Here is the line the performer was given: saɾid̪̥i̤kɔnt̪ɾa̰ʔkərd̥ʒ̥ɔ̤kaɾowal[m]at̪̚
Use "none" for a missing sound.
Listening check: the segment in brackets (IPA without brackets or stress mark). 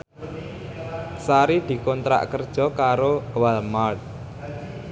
m